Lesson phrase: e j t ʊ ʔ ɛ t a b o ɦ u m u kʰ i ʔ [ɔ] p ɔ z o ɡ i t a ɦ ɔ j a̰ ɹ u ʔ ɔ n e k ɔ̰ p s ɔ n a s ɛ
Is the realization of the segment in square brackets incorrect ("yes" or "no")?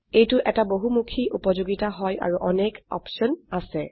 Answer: yes